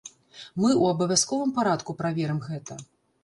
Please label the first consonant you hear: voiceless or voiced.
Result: voiced